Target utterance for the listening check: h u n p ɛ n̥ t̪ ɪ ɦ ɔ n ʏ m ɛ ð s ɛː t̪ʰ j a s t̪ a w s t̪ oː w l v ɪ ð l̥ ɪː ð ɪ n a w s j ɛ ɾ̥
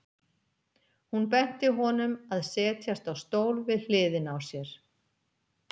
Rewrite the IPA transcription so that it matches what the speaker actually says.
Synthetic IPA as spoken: h u n p ɛ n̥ t̪ ɪ ɦ ɔ n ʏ m a ð s ɛː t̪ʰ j a s t̪ a w s t̪ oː w l v ɪ ð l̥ ɪː ð ɪ n a w s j ɛ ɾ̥

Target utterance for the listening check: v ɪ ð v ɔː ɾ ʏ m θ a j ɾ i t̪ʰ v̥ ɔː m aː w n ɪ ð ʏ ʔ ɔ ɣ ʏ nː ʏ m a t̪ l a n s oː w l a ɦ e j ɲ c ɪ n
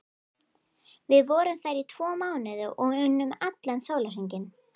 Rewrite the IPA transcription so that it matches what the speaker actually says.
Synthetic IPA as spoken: v ɪ ð v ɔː ɾ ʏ m θ a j ɾ i t̪ʰ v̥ ɔː m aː w n ɪ ð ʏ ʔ ɔ ɣ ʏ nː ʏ m a t̪ l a n s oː w l a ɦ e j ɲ c ɪ n

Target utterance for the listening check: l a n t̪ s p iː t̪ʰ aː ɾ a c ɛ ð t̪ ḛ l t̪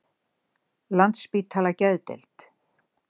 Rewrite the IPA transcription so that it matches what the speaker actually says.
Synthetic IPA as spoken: l a n t̪ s p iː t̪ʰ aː l a c ɛ ð t̪ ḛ l t̪

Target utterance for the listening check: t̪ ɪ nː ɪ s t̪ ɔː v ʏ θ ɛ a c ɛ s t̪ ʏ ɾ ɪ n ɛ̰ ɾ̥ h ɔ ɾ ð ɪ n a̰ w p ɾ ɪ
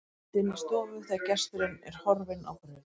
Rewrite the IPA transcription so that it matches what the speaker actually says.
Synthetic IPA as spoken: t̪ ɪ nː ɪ s t̪ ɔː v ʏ θ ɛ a c ɛ s t̪ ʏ ɾ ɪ n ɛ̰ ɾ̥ h ɔ ɾ v ɪ n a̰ w p ɾ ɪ

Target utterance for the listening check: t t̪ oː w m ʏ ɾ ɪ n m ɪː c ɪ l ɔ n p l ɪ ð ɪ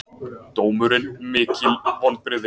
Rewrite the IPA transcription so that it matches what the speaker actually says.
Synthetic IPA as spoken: t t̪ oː w m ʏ ɾ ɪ n m ɪː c ɪ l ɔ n p ɾ ɪ ð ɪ

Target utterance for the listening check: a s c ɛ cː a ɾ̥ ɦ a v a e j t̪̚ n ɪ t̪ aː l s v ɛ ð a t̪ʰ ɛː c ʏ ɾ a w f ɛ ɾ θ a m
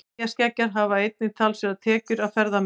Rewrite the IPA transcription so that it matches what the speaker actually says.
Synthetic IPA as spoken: a s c ɛ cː a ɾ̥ ɦ a v a e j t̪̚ n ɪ t̪ʰ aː l s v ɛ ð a t̪ʰ ɛː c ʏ ɾ a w f ɛ ɾ ð a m

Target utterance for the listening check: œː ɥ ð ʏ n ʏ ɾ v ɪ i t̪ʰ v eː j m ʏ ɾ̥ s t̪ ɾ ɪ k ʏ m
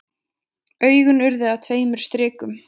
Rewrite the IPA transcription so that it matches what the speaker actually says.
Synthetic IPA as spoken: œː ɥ ɣ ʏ n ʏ ɾ ð ɪ a t̪ʰ v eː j m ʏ ɾ̥ s t̪ ɾ ɪː k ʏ m

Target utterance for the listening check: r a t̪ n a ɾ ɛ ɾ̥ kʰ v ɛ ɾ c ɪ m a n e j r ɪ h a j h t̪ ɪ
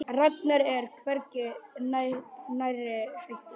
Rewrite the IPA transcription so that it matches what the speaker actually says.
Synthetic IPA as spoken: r a t̪ n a ɾ ɛ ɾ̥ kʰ v ɛ ɾ c ɪ n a n a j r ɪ h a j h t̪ ɪ

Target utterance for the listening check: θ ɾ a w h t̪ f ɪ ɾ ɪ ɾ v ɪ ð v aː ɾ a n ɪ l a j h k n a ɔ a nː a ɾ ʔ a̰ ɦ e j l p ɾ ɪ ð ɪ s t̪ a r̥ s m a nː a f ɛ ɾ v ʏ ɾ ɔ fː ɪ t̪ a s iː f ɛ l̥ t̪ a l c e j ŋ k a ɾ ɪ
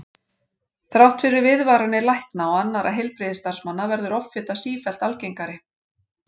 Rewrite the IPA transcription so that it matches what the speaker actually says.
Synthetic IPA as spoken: θ ɾ a w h t̪ f ɪ ɾ ɪ ɾ v ɪ ð v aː ɾ a n ɪ l a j h k n a ɔ a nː a ɾ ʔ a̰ ɦ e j l p ɾ ɪ ð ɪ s t̪ a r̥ s m a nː a v ɛ ɾ ð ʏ ɾ ɔ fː ɪ t̪ a s iː f ɛ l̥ t̪ a l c e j ŋ k a ɾ ɪ

